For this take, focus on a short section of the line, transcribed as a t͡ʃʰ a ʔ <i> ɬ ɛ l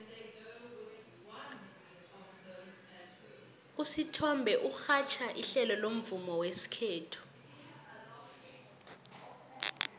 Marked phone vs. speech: correct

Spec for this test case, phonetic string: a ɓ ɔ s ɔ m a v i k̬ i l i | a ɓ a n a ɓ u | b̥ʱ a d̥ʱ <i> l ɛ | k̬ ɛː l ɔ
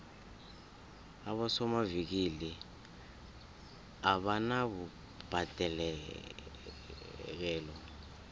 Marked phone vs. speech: incorrect: ɛ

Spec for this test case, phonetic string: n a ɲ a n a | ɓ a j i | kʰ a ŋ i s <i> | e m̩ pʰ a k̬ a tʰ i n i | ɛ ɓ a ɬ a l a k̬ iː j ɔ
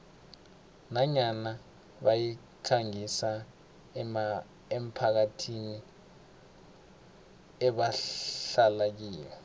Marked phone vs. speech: incorrect: a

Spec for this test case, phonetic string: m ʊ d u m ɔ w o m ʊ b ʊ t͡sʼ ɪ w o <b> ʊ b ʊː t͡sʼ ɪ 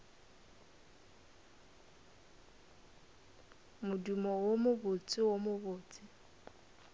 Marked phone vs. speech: incorrect: m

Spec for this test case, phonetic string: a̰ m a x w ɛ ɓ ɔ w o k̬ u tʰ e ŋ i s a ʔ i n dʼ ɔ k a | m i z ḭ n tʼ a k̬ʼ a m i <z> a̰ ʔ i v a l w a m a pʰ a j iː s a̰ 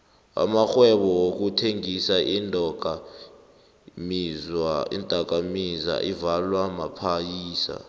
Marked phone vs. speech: correct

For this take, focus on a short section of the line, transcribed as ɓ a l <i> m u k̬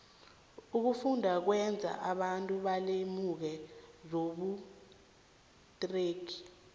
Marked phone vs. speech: incorrect: e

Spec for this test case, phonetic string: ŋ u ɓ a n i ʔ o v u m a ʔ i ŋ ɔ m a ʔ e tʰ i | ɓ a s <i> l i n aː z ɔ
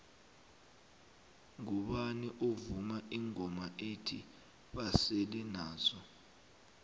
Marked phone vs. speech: incorrect: e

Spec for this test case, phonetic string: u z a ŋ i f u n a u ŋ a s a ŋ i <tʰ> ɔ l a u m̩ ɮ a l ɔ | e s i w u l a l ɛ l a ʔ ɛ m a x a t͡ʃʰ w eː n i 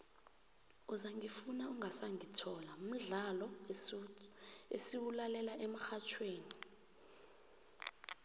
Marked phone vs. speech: correct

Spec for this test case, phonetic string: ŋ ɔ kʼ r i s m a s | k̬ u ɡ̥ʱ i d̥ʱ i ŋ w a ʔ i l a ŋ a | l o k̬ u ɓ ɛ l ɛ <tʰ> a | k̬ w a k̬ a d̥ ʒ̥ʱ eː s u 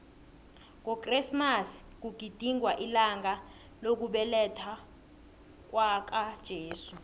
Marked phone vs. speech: correct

